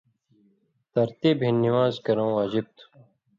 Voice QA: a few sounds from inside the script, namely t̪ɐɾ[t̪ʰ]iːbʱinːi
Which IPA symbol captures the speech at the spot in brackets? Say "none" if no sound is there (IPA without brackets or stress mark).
t̪